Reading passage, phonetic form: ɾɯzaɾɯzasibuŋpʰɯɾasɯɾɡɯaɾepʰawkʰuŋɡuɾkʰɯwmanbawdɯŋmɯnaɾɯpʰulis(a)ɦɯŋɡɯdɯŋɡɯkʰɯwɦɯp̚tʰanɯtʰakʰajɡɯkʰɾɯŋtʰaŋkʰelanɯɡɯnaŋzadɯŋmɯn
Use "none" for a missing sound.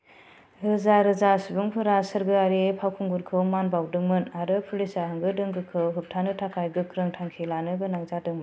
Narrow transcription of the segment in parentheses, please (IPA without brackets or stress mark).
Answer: a